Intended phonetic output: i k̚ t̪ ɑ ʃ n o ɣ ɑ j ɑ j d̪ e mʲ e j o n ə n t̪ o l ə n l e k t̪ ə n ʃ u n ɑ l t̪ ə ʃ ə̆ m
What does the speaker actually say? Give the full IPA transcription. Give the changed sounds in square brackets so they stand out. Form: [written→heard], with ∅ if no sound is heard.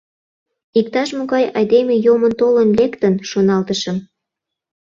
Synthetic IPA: i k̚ t̪ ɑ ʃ [n→m] o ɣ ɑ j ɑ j d̪ e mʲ e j o [n→m] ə n t̪ o l ə n l e k t̪ ə n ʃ [u→o] n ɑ l t̪ ə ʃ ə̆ m